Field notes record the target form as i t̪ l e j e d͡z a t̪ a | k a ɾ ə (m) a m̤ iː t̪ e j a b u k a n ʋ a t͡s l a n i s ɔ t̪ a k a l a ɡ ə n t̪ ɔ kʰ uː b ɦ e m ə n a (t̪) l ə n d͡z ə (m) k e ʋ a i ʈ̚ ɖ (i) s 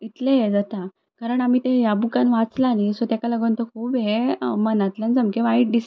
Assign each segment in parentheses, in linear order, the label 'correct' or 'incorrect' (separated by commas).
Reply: incorrect, correct, correct, correct